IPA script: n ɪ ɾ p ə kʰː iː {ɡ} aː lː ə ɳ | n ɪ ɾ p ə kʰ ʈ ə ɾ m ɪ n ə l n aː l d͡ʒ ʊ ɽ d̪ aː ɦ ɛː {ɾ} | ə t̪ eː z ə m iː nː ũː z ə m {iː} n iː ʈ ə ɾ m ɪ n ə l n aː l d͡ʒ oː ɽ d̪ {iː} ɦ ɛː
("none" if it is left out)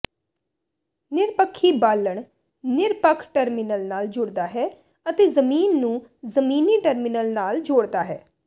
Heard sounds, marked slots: b, none, iː, aː

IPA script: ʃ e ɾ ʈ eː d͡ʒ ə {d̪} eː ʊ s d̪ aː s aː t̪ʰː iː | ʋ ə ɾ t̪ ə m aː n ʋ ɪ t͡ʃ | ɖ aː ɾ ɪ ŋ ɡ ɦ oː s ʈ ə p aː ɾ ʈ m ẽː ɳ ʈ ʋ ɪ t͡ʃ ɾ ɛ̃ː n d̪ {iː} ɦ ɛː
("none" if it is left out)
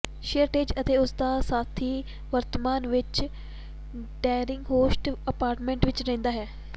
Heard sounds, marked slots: t̪, aː

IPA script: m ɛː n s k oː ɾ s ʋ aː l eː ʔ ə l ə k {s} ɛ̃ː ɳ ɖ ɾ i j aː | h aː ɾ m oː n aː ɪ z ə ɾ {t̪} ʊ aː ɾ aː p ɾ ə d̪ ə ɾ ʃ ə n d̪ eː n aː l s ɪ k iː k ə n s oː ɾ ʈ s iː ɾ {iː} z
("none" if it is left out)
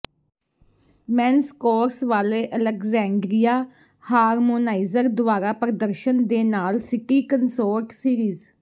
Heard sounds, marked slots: z, d̪, iː

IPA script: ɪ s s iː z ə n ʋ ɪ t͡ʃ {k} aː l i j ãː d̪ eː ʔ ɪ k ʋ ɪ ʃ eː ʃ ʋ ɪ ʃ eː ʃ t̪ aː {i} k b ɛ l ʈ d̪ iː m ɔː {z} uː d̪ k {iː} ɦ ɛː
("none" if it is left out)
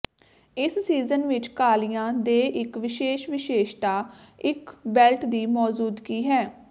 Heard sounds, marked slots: k, ɪ, z, iː

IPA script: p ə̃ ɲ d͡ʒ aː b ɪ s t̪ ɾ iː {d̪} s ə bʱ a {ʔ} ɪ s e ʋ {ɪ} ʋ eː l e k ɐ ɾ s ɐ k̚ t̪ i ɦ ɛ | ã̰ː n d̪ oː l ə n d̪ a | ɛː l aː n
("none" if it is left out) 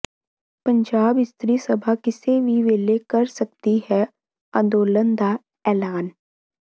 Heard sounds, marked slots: none, k, i

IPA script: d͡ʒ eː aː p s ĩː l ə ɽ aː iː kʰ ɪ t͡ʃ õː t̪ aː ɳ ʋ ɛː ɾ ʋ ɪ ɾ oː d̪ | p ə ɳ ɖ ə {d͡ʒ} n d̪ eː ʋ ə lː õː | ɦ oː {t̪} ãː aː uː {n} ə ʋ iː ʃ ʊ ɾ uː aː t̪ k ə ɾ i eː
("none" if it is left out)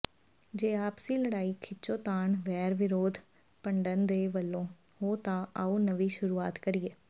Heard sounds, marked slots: none, t̪, n

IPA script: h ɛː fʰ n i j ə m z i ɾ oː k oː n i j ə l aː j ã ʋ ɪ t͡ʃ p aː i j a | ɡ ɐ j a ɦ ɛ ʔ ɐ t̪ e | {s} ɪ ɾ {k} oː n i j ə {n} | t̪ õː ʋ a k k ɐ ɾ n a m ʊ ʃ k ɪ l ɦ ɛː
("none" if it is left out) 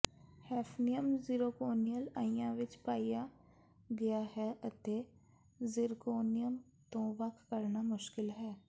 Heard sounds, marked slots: z, k, m

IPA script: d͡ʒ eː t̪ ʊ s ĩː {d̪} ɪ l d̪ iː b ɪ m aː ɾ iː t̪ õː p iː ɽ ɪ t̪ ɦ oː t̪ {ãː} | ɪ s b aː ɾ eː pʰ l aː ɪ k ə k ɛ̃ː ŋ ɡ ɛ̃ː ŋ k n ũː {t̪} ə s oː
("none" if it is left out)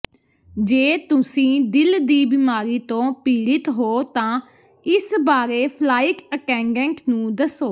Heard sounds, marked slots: d̪, ãː, d̪

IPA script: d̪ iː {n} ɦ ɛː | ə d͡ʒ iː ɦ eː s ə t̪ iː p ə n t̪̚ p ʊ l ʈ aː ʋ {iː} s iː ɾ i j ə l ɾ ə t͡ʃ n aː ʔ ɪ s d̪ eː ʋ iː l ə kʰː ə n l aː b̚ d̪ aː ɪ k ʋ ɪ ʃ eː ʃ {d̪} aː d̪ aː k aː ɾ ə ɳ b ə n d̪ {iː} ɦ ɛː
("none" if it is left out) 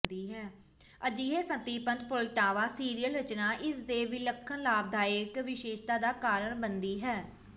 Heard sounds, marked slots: none, aː, t̪, iː

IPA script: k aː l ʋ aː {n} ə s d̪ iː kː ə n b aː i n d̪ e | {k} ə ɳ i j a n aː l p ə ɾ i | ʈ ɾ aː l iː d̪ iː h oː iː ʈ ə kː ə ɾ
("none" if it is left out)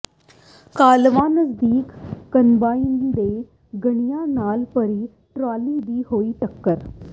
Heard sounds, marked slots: n, ɡ

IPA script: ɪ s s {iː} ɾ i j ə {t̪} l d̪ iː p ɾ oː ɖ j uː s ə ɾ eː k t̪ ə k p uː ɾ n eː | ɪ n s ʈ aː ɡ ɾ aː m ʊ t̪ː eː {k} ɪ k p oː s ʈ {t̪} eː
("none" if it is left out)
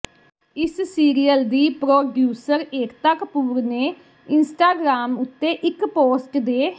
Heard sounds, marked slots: iː, none, ʔ, d̪

